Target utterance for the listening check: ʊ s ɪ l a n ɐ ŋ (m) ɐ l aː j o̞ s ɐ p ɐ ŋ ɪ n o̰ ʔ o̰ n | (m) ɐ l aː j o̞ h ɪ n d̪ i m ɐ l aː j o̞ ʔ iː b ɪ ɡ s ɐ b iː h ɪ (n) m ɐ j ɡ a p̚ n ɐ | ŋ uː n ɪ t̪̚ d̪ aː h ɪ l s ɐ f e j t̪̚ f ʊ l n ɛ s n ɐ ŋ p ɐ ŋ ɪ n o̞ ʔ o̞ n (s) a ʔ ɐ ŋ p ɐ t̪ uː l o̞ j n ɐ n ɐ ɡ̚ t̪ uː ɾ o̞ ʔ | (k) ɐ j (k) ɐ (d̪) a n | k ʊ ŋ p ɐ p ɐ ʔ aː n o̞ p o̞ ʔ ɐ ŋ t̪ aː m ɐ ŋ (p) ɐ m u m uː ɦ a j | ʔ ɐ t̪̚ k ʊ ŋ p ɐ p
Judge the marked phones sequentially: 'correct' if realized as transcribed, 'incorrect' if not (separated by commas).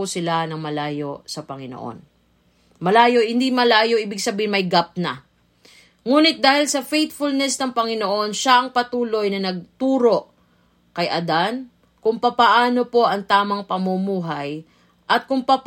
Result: correct, correct, correct, incorrect, correct, incorrect, correct, correct